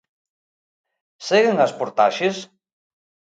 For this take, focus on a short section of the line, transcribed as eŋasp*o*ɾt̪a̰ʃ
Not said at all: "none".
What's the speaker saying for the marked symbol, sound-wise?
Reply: o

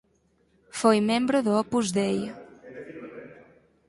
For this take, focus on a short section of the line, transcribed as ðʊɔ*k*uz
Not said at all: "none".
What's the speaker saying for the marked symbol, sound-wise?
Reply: p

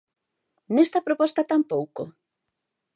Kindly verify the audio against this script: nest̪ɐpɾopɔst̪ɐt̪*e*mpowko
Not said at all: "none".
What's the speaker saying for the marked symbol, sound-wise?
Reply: a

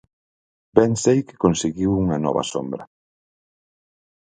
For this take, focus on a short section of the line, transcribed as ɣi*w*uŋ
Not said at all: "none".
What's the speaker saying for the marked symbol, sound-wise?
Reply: w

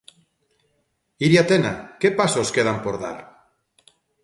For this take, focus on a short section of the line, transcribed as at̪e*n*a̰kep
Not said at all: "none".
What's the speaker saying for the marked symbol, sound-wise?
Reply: n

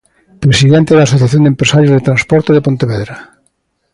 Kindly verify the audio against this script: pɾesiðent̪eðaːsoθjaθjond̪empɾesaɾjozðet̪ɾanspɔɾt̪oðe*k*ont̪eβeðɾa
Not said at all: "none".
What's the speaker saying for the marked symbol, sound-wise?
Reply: p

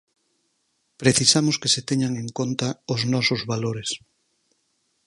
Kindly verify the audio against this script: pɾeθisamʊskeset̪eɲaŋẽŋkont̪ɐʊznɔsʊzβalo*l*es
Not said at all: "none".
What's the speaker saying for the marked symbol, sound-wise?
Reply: ɾ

